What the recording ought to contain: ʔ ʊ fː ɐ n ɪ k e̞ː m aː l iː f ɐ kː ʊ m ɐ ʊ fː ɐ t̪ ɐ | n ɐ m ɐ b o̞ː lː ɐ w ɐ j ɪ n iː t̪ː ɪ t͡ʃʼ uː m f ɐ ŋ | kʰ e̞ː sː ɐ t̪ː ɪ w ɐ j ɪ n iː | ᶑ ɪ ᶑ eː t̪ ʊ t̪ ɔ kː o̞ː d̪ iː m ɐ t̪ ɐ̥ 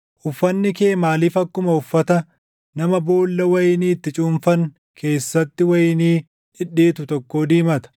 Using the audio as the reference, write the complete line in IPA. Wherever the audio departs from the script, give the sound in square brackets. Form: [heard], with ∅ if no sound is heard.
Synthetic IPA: ʔ ʊ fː ɐ [nː] ɪ k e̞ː m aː l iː f ɐ kː ʊ m ɐ ʊ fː ɐ t̪ ɐ | n ɐ m ɐ b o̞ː lː ɐ w ɐ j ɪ n iː t̪ː ɪ t͡ʃʼ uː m f ɐ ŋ | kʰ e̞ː sː ɐ t̪ː ɪ w ɐ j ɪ n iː | ᶑ ɪ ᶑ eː t̪ ʊ t̪ ɔ kː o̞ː d̪ iː m ɐ t̪ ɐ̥